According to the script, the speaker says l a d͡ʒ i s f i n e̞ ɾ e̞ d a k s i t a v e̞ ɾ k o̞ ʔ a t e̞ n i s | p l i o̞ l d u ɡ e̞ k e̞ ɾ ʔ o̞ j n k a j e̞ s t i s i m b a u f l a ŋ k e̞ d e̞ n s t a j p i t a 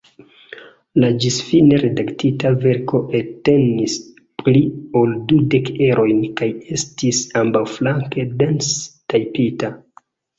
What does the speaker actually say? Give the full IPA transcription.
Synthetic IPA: l a d͡ʒ i s f i n e̞ ɾ e̞ d a k t i t a v e̞ ɾ k o̞ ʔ e t e̞ n i s | p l i o̞ l d u d e̞ k e̞ ɾ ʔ o̞ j n k a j e̞ s t i s a m b a w f l a ŋ k e̞ d e̞ n s t a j p i t a